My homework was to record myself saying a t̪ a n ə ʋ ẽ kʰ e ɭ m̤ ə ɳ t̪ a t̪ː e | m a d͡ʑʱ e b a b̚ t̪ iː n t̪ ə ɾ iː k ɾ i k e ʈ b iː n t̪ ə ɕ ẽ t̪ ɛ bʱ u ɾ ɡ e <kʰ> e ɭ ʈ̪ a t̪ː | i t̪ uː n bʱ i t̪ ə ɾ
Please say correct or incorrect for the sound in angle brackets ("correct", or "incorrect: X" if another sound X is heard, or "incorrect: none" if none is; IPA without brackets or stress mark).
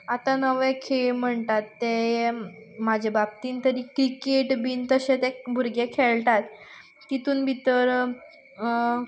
correct